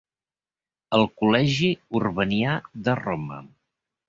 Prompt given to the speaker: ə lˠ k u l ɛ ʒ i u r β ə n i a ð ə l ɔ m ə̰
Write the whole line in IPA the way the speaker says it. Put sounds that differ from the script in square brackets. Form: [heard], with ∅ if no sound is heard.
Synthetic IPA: ə lˠ k u l ɛ ʒ i u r β ə n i a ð ə [r] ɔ m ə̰